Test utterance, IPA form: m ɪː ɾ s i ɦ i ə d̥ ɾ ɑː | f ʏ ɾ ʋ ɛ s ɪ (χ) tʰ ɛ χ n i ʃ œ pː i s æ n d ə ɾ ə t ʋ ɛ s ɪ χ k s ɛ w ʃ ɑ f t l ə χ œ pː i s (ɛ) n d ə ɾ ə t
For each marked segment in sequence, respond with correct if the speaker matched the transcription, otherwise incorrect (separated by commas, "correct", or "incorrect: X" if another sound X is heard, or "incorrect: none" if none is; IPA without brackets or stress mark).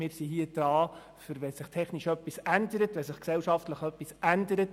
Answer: correct, incorrect: æ